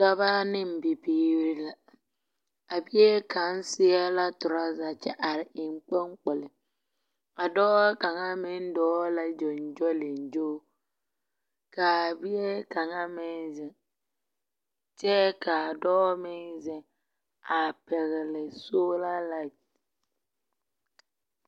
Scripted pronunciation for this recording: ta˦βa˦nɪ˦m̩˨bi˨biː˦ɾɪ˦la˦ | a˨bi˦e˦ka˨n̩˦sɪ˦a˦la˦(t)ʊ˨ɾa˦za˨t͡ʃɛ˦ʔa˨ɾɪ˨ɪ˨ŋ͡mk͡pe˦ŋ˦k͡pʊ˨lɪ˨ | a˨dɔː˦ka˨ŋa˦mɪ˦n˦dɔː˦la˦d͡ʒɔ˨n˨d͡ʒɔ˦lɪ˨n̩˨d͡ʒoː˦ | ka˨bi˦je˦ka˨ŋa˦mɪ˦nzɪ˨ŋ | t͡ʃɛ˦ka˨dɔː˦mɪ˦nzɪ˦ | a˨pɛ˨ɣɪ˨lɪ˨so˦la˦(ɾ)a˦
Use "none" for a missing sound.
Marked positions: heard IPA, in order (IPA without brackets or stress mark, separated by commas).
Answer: t, l